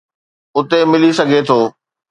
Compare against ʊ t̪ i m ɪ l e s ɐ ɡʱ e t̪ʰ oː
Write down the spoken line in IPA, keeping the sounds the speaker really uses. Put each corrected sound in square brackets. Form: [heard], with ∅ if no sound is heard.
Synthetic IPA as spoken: ʊ t̪ [e] m ɪ l [i] s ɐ ɡʱ e t̪ʰ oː